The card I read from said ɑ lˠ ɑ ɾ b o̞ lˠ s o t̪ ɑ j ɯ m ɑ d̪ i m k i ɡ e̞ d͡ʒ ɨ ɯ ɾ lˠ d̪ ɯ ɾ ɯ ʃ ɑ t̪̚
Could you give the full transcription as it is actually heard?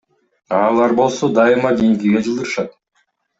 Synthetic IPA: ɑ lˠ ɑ ɾ b o̞ lˠ s o d̪ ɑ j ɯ m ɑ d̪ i ŋ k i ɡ e̞ d͡ʒ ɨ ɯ lˠ d̪ ɯ ɾ ɯ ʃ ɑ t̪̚